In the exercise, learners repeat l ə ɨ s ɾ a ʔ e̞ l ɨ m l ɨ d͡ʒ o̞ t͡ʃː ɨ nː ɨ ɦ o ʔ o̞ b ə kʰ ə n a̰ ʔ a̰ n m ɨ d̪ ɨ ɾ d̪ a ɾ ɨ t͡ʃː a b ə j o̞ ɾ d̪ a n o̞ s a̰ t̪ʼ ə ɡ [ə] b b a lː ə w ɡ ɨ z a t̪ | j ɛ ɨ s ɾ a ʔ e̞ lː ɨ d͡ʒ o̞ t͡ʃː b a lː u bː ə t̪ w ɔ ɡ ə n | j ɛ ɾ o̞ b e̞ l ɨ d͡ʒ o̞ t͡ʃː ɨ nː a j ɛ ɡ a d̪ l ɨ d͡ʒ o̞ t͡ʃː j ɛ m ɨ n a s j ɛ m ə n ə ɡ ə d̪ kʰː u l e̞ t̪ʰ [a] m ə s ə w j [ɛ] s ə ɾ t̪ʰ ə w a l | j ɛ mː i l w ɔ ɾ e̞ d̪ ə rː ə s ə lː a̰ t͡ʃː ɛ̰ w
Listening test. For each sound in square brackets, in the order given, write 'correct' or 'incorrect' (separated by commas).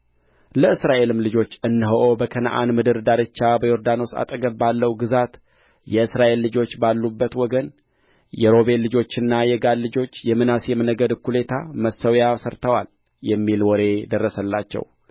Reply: correct, correct, incorrect